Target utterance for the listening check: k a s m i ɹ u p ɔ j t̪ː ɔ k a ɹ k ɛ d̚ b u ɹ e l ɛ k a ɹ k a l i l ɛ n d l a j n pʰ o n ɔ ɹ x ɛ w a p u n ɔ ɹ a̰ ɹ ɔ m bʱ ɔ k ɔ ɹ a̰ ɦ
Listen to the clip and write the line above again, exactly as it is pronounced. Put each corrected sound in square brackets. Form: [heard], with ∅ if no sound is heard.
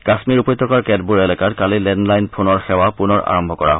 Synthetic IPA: k a s m i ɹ u p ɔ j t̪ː ɔ k a ɹ k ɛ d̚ b u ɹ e l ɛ k a ɹ k a l i l ɛ n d l a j n pʰ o n ɔ ɹ x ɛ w a p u n ɔ ɹ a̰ ɹ ɔ m bʱ ɔ k ɔ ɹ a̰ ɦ